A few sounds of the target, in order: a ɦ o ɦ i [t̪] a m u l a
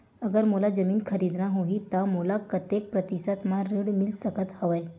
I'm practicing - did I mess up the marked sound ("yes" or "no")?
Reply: no